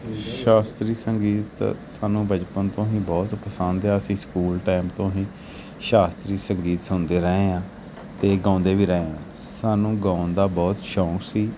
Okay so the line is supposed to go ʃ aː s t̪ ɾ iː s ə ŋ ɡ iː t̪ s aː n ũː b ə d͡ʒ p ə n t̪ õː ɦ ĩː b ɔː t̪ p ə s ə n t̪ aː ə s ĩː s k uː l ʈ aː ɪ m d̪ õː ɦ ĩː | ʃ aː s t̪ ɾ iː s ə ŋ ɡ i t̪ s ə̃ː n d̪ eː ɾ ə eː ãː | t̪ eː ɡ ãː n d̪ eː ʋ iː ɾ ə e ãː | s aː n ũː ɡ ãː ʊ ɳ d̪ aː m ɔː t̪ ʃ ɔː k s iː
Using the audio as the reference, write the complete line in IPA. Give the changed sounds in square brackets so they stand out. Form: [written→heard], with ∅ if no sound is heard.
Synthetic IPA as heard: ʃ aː s t̪ ɾ iː s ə ŋ ɡ iː t̪ s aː n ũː b ə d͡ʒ p ə n t̪ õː ɦ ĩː b ɔː t̪ p ə s ə n [t̪→d̪] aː ə s ĩː s k uː l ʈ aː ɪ m [d̪→t̪] õː ɦ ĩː | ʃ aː s t̪ ɾ iː s ə ŋ ɡ [i→iː] t̪ s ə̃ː n d̪ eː ɾ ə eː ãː | t̪ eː ɡ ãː n d̪ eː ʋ iː ɾ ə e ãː | s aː n ũː ɡ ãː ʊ [ɳ→n] d̪ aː [m→b] ɔː t̪ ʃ ɔː k s iː